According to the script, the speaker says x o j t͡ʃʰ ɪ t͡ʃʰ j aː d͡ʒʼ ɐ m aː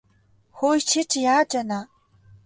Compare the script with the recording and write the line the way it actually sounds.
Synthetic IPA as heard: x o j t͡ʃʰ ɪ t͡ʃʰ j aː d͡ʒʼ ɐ n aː